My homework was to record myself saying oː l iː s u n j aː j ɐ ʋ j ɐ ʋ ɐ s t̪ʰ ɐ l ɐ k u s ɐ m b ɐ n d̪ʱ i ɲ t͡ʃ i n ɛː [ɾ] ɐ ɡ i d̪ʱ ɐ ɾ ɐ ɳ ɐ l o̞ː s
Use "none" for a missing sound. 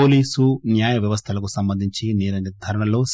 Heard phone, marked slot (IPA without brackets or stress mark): ɾ